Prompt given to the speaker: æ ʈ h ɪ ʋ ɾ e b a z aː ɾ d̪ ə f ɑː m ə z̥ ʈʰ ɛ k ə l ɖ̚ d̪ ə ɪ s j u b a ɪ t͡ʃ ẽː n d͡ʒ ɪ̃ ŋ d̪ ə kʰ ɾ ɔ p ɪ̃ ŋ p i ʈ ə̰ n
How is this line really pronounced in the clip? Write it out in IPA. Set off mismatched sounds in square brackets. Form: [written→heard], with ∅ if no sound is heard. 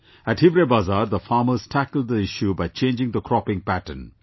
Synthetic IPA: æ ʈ h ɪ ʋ ɾ e b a z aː ɾ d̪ ə f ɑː m ə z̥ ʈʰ [ɛ→æ] k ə l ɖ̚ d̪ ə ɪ [s→ʃ] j u b a ɪ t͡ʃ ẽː n d͡ʒ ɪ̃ ŋ d̪ ə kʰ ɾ ɔ p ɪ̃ ŋ p [i→æ] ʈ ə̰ n

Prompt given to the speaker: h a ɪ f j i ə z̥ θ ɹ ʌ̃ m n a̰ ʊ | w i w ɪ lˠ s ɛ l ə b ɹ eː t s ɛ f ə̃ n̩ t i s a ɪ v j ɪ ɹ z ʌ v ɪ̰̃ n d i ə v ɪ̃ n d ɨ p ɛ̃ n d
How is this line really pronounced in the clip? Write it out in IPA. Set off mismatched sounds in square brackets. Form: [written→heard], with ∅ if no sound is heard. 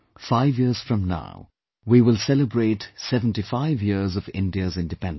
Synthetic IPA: [h→f] a ɪ [f→v] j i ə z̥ [θ→f] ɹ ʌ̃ m n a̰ ʊ | w i w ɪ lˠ s ɛ l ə b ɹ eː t s ɛ [f→v] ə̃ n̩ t i [s→f] a ɪ v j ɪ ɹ z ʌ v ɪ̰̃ n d i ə [v→z] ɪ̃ n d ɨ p ɛ̃ n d

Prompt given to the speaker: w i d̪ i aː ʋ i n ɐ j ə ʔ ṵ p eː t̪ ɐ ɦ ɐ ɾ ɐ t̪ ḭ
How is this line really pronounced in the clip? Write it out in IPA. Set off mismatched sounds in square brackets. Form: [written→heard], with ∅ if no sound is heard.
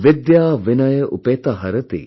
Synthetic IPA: [w→ʋ] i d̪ [i→j] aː ʋ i n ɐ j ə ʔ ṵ p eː t̪ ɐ ɦ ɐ ɾ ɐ t̪ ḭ

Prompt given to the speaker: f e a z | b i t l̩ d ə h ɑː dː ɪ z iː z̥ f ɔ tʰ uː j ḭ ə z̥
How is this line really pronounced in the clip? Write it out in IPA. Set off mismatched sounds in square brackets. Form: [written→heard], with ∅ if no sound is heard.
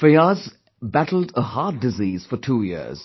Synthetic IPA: f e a z | b [i→æ] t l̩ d ə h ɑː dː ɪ z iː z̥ f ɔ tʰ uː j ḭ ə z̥

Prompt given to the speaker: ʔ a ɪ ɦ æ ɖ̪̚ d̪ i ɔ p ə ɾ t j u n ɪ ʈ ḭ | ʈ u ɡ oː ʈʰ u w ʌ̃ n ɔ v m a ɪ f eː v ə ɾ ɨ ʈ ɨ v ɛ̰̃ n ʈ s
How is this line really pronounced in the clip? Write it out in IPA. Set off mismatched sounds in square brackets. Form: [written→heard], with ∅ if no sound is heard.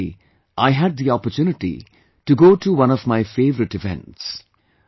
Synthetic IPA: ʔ a ɪ ɦ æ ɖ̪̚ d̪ i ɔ p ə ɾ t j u n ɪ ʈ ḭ | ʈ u ɡ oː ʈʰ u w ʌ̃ n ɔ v m a ɪ f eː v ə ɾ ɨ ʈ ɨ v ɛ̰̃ n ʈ s

